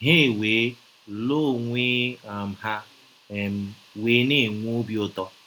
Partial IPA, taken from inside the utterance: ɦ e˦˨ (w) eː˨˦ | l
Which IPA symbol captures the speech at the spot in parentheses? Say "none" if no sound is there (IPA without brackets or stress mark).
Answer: w